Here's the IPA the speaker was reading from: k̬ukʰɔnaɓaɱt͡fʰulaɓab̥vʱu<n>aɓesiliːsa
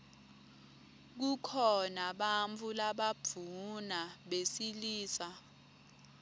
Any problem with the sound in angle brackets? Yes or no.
no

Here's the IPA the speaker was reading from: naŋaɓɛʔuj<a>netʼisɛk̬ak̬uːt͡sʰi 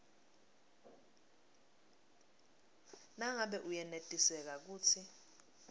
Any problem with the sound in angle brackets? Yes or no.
yes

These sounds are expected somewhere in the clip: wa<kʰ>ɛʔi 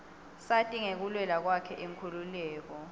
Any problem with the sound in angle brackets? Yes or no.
no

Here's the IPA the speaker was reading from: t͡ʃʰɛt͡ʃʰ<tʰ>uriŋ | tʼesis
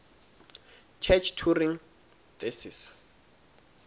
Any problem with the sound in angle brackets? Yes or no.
no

